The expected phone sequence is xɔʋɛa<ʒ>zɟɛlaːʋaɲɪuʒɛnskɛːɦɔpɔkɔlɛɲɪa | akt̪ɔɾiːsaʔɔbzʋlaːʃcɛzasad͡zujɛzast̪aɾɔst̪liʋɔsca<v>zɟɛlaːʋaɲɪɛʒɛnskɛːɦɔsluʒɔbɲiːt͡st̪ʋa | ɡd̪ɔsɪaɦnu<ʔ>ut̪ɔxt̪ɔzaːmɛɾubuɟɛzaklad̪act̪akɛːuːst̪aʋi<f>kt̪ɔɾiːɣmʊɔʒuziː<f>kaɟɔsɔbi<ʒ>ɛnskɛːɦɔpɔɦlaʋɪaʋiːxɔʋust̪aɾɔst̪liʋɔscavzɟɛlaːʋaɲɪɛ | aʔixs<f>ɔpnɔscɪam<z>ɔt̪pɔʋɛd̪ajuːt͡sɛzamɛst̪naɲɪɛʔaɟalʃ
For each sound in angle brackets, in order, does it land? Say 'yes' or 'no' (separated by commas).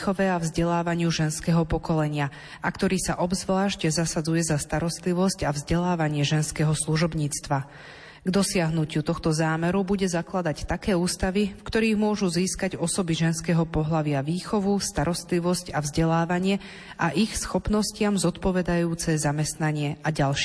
no, yes, no, yes, no, yes, no, yes